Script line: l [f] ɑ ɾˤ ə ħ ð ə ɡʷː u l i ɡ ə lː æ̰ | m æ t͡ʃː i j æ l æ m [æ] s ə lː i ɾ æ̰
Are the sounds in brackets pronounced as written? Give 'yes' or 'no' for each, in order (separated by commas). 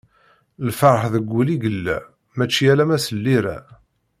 yes, yes